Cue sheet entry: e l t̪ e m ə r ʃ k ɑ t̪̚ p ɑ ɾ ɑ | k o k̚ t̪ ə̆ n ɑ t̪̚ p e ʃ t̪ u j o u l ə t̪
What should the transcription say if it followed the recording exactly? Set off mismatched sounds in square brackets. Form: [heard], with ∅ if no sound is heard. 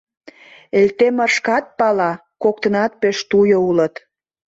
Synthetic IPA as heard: e l t̪ e m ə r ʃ k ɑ t̪̚ p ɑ [l] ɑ | k o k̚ t̪ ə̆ n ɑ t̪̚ p e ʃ t̪ u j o u l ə t̪